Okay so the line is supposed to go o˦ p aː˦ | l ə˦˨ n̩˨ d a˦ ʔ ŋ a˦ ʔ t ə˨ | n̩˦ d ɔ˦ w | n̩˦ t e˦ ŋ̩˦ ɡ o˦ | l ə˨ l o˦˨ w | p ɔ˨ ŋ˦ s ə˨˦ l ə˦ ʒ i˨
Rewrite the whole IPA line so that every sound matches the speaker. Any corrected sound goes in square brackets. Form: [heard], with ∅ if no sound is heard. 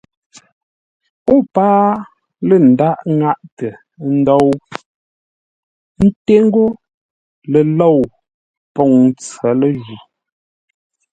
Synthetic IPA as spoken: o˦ p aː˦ | l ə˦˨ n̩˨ d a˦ ʔ ŋ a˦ ʔ t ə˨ | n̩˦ d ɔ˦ w | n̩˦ t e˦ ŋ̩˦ ɡ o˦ | l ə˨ l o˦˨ w | p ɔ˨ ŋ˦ [t͡s] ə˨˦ l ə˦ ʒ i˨